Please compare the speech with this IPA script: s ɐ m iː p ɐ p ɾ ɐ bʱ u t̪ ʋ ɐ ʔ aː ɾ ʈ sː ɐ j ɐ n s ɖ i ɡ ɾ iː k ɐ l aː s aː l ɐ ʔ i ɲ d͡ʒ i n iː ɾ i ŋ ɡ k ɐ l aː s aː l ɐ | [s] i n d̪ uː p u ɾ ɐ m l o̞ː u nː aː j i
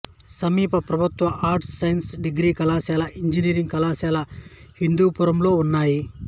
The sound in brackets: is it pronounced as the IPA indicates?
no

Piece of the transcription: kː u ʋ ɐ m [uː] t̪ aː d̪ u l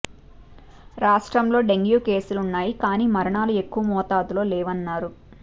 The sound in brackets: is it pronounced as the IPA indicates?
no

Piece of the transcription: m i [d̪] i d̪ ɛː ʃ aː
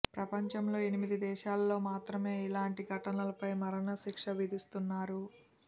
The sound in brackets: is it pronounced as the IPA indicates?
yes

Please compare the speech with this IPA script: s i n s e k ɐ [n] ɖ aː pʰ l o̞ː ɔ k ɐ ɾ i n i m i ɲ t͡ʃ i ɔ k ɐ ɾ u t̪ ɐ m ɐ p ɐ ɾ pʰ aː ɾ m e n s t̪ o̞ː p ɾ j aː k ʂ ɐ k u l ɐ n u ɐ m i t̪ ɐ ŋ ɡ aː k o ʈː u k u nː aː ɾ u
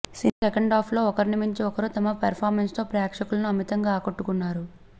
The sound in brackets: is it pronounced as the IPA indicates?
no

